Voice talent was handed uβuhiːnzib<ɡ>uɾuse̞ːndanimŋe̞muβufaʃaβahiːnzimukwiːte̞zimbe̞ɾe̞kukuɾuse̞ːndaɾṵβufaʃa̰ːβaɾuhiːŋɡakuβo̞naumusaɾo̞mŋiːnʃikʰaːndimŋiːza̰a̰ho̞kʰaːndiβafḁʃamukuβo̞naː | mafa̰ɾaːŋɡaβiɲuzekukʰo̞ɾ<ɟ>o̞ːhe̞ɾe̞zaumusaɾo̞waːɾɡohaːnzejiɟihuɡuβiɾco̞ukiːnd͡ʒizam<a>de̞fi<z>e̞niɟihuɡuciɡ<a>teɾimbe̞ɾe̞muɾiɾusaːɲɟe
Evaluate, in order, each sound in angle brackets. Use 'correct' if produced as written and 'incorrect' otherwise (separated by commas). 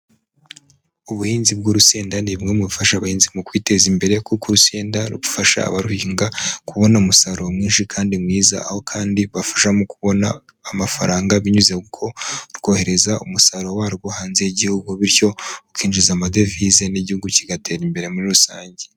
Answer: correct, incorrect, correct, correct, correct